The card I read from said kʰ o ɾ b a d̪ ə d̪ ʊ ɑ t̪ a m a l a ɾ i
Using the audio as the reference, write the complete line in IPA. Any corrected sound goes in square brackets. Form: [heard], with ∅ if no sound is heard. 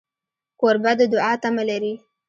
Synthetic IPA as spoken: [k] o ɾ b a d̪ ə d̪ ʊ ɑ t̪ a m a l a ɾ i